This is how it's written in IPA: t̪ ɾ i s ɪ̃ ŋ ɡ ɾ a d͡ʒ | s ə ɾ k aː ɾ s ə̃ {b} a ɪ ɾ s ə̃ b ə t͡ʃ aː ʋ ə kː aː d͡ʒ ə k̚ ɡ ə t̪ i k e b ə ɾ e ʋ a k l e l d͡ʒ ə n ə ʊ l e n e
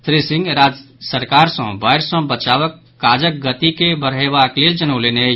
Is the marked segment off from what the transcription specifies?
no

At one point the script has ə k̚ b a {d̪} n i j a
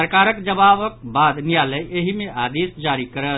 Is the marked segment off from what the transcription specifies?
no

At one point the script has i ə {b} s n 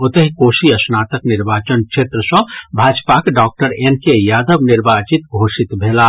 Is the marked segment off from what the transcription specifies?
yes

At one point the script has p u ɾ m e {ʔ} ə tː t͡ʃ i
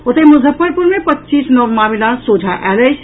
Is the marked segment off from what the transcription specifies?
yes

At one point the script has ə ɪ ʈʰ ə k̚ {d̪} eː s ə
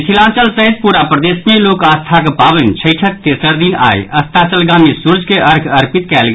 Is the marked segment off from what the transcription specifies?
yes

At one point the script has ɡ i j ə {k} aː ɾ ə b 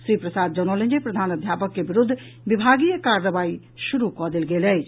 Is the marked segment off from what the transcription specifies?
no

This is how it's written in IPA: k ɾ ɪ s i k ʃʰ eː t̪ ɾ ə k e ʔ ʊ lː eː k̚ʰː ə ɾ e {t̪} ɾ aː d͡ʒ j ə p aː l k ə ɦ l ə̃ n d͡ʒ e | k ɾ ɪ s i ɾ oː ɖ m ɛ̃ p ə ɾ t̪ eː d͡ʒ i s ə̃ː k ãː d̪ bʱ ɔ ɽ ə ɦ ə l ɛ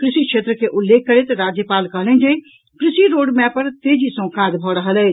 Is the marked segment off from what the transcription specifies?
no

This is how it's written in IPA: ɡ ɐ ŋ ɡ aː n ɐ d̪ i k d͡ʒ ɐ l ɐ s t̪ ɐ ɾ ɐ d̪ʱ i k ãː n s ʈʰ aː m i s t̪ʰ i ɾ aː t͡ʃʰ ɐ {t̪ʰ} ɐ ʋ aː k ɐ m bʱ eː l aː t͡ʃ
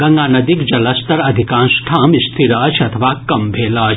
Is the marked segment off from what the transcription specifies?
no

